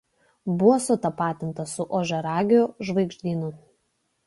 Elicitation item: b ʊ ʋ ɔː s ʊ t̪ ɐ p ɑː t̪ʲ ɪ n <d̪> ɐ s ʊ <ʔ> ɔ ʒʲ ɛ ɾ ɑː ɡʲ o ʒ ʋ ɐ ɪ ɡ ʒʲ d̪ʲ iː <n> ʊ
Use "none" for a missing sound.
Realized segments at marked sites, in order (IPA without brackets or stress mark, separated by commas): t̪, ʔ, n